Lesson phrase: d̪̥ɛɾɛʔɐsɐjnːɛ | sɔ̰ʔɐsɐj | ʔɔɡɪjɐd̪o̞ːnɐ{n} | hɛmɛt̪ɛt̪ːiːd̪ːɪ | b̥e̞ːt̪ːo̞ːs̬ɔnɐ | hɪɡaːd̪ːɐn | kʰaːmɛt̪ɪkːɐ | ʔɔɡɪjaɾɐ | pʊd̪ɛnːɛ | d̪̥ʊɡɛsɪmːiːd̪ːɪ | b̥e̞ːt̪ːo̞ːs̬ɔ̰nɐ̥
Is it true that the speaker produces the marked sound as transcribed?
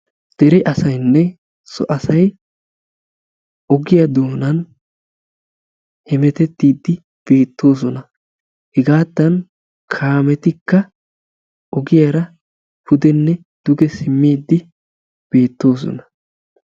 yes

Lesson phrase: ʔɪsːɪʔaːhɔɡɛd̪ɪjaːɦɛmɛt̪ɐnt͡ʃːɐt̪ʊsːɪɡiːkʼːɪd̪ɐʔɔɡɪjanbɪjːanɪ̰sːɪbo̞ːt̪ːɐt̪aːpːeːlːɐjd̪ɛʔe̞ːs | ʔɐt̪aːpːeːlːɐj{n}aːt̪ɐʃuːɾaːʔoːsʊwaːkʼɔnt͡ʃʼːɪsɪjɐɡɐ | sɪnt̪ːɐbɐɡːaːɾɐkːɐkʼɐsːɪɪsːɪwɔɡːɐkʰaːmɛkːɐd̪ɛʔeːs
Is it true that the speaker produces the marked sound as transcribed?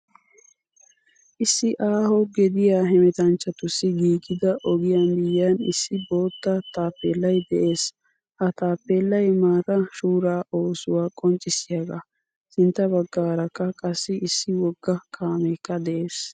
no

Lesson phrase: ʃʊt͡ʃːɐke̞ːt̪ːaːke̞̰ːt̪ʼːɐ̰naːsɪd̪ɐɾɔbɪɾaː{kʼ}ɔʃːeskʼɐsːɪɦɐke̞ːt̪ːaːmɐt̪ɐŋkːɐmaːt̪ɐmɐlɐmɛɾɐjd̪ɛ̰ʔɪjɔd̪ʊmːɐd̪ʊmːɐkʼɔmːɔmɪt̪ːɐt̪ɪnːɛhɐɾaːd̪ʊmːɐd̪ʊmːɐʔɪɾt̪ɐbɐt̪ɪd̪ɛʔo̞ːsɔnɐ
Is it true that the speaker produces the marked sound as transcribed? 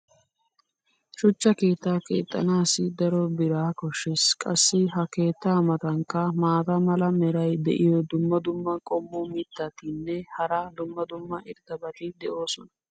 no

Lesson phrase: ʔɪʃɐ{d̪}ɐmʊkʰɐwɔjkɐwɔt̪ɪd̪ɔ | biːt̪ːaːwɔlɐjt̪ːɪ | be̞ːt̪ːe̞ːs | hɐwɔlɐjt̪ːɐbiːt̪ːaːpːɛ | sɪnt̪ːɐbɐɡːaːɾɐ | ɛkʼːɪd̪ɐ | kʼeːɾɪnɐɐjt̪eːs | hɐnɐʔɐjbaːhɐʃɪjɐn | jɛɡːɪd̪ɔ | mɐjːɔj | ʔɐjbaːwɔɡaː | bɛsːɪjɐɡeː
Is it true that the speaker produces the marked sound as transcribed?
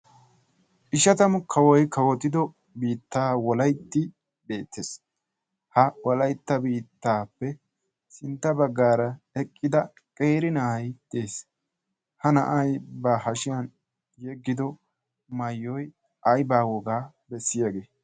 no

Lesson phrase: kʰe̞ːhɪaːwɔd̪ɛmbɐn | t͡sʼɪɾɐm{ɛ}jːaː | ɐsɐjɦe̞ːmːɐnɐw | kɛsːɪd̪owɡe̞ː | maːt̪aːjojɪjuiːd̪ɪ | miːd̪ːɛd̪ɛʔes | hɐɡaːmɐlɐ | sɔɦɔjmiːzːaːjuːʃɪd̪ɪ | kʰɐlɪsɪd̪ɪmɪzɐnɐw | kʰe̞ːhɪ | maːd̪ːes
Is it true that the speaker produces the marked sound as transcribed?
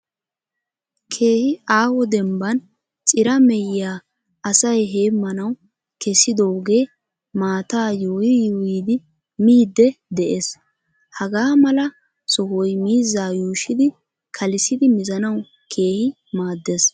yes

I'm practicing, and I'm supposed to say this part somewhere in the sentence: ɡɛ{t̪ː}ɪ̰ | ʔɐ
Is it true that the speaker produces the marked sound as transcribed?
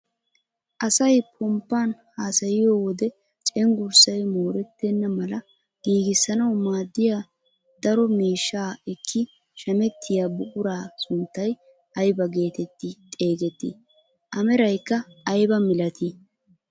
yes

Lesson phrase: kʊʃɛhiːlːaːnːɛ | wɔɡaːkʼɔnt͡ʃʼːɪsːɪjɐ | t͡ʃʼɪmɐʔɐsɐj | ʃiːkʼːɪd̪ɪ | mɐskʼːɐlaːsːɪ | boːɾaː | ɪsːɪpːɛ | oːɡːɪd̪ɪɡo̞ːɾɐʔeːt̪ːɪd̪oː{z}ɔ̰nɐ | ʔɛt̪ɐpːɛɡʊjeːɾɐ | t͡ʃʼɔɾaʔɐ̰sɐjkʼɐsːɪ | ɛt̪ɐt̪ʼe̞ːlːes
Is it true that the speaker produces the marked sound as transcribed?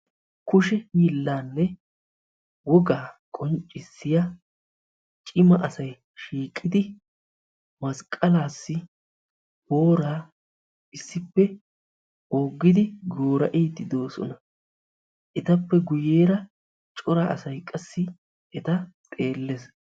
no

